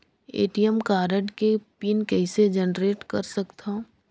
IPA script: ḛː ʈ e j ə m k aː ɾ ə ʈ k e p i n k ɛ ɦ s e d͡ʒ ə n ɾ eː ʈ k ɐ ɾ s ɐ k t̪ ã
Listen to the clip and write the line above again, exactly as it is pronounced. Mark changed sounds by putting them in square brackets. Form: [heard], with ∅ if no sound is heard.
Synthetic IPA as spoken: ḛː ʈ [i] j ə m k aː ɾ ə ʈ k e p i n k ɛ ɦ s e d͡ʒ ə n ɾ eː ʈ k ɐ ɾ s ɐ k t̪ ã